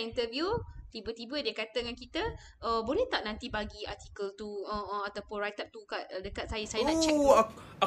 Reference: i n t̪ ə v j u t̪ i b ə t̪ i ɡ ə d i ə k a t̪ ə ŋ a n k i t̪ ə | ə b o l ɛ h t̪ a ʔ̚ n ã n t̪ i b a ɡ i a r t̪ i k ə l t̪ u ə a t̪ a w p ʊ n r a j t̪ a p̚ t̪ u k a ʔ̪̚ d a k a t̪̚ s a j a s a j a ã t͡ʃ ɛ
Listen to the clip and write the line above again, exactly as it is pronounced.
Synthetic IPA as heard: i n t̪ ə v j u t̪ i b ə t̪ i b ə d i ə k a t̪ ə ŋ a n k i t̪ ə | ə b o l ɛ h t̪ a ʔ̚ n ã n t̪ i b a ɡ i a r t̪ i k ə l t̪ u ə a t̪ a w p ʊ n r a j t̪ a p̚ t̪ u k a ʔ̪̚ d ə k a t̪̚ s a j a s a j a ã t͡ʃ ɛ